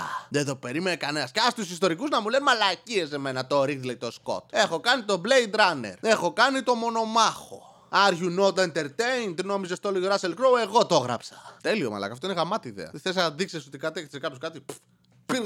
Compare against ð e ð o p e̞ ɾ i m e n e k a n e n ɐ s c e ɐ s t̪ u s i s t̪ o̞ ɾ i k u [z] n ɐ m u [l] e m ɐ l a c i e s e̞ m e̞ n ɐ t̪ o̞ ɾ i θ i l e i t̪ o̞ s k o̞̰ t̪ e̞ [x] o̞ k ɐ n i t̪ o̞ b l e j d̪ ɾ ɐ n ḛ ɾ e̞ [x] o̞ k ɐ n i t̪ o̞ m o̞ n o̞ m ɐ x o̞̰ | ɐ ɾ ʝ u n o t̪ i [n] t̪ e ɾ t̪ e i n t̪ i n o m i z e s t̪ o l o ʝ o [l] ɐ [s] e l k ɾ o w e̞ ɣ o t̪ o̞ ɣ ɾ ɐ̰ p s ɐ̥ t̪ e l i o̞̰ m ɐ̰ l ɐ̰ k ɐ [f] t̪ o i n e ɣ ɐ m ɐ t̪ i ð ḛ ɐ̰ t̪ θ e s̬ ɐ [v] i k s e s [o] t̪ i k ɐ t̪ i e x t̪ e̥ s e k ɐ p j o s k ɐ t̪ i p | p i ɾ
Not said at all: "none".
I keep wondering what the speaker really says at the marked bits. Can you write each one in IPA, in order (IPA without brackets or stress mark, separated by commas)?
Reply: z, l, x, x, n, ɾ, s, f, ð, o